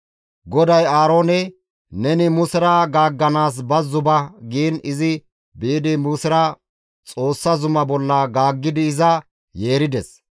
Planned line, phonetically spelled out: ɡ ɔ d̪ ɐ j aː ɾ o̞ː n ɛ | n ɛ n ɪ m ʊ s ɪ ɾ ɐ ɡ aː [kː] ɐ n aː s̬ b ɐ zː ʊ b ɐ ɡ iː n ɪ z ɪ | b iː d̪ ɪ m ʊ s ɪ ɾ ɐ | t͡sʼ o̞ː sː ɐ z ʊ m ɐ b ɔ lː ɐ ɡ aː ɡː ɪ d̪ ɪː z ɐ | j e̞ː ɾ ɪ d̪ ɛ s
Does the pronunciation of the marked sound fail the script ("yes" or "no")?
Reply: yes